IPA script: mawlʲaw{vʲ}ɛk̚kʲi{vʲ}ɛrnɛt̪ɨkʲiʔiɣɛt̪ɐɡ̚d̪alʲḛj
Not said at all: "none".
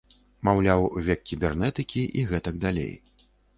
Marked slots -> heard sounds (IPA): vʲ, bʲ

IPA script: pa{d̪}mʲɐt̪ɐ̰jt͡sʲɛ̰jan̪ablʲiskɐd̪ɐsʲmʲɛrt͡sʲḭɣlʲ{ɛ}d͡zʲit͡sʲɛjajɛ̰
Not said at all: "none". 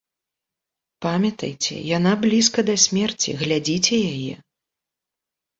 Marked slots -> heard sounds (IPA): none, a

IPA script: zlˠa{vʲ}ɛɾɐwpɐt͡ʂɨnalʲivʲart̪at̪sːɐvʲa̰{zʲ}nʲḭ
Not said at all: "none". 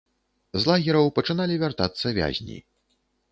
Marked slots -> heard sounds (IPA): ɣʲ, zʲ

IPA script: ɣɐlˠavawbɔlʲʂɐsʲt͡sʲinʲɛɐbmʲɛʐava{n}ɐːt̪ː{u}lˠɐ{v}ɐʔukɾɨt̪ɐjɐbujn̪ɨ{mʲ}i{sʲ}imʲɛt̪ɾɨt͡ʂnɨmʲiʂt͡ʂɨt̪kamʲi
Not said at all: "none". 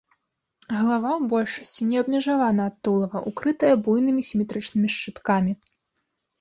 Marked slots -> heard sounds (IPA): n, u, v, mʲ, sʲ

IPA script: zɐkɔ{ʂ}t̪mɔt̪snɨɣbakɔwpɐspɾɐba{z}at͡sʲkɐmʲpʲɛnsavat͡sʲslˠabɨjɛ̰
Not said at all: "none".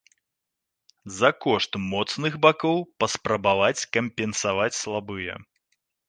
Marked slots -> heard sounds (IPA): ʂ, v

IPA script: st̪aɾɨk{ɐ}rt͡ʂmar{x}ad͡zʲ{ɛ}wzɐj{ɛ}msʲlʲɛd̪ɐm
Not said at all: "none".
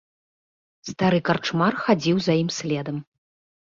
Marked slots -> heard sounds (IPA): a, x, i, i

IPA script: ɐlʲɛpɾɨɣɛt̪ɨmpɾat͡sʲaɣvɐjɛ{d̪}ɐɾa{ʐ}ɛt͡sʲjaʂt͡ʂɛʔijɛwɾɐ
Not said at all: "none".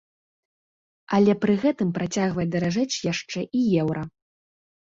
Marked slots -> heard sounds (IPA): d̪, ʐ

